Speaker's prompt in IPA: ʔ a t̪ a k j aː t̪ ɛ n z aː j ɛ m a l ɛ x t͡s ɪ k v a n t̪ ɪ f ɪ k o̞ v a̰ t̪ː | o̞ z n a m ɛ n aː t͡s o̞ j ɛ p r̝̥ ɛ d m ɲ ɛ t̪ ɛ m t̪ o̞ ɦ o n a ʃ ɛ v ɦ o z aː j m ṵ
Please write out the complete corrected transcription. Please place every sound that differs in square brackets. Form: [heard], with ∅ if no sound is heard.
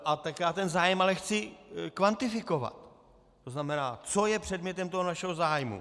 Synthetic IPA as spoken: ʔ a t̪ a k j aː t̪ ɛ n z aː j ɛ m a l ɛ x t͡s ɪ k v a n t̪ ɪ f ɪ k o̞ v a̰ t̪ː | o̞ z n a m ɛ n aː t͡s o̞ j ɛ p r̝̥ ɛ d m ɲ ɛ t̪ ɛ m t̪ o̞ ɦ o n a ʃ ɛ [∅] ɦ o z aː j m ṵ